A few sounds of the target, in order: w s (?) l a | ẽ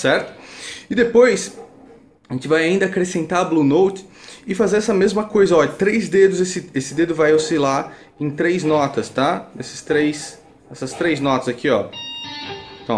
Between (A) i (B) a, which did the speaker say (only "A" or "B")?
A